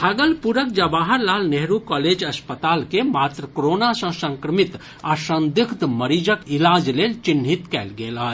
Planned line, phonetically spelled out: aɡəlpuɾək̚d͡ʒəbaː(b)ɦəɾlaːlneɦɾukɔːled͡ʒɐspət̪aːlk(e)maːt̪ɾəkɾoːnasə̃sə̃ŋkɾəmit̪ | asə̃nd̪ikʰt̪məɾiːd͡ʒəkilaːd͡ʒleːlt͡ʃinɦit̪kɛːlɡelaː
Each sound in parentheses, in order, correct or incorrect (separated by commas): incorrect, correct